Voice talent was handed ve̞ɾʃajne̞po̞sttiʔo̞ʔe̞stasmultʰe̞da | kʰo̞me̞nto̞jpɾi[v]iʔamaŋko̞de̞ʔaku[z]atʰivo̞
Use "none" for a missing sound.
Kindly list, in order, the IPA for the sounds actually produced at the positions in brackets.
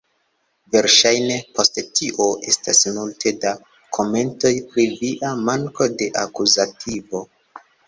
v, z

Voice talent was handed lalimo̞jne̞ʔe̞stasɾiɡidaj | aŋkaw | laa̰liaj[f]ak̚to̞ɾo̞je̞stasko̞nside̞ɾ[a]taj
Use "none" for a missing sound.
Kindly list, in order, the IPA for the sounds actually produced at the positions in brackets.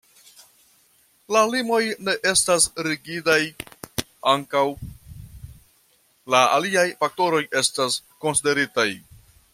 f, i

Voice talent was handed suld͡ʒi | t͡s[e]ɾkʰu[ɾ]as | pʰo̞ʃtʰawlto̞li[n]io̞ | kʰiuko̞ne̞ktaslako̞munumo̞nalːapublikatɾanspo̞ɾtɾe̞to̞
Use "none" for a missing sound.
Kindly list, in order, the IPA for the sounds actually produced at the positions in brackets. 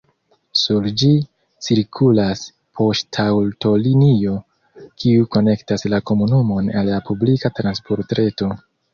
i, l, n

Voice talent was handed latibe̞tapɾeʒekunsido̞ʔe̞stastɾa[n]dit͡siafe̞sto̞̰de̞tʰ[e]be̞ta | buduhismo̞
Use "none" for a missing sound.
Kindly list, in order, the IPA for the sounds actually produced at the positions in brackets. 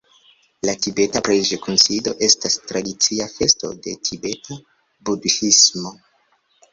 none, i

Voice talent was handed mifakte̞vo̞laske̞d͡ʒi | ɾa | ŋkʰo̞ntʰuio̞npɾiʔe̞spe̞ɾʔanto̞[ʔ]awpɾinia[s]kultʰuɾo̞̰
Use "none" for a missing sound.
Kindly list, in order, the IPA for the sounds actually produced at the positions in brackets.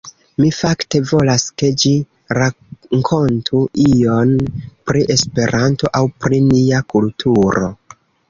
ʔ, none

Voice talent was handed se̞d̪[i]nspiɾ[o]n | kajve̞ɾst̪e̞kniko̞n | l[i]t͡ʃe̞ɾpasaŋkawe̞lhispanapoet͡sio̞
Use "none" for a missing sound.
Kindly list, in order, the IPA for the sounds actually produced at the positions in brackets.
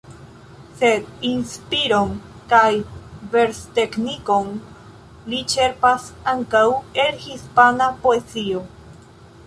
i, o, i

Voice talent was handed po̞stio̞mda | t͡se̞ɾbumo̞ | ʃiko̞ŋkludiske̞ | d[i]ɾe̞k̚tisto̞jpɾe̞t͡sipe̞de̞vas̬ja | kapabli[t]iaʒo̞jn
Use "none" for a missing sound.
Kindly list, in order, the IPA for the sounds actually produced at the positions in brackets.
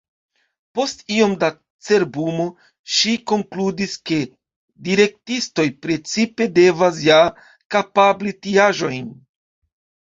i, t

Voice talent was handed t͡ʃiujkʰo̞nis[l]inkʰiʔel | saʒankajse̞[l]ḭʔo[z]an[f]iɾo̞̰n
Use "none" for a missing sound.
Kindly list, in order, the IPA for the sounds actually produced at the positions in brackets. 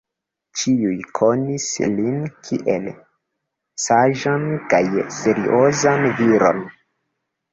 l, ɾ, z, v

